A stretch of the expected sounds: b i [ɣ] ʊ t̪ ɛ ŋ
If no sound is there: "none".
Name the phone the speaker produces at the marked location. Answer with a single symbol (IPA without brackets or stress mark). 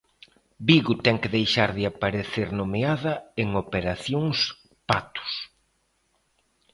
ɣ